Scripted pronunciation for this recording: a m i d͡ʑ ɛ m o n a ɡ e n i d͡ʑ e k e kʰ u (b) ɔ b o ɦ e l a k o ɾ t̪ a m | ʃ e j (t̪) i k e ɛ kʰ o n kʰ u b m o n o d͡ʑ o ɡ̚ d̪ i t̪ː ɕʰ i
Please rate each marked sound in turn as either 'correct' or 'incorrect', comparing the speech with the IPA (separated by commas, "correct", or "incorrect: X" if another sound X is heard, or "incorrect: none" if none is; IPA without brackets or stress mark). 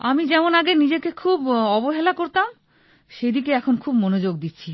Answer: correct, incorrect: d̪